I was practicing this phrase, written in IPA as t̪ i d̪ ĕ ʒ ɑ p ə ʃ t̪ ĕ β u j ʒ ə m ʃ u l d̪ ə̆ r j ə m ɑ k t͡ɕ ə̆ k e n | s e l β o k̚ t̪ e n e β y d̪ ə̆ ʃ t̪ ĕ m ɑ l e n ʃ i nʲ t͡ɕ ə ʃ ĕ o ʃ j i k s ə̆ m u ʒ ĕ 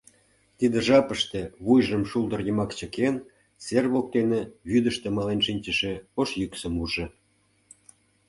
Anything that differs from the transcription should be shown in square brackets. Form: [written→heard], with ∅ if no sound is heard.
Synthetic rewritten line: t̪ i d̪ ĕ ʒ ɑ p ə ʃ t̪ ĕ β u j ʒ ə m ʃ u l d̪ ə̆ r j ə m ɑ k t͡ɕ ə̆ k e n | s e [l→r] β o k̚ t̪ e n e β y d̪ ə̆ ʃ t̪ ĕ m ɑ l e n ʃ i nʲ t͡ɕ ə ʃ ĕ o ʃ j [i→y] k s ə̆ m u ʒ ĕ